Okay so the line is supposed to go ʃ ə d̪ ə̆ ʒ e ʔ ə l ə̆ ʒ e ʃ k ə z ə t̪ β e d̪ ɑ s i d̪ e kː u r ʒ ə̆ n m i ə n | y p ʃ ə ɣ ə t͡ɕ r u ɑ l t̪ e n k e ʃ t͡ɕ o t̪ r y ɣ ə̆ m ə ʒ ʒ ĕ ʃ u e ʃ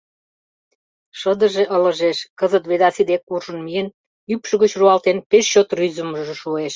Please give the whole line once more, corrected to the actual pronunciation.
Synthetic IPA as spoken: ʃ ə d̪ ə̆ ʒ e ʔ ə l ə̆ ʒ e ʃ k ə z ə t̪ β e d̪ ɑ s i d̪ e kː u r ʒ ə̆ n m i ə n | y p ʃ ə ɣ ə t͡ɕ r u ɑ l t̪ e n p e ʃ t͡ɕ o t̪ r y z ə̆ m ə ʒ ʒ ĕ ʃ u e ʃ